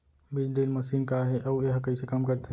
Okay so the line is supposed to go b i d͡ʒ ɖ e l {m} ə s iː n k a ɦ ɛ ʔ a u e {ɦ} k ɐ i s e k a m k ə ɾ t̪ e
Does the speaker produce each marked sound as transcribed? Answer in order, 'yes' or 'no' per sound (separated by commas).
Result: yes, yes